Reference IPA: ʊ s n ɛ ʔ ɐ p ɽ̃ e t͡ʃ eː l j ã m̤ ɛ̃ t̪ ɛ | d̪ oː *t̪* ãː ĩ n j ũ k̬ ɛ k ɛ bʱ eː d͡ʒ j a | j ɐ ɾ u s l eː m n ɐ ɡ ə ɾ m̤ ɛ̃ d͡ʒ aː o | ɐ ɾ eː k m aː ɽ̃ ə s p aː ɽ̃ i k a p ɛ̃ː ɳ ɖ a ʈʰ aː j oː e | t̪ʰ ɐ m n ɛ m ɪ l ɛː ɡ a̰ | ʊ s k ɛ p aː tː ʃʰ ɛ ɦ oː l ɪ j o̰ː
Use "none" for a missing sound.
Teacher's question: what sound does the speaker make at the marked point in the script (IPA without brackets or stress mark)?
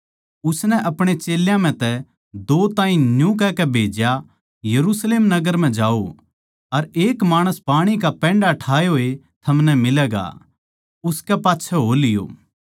t̪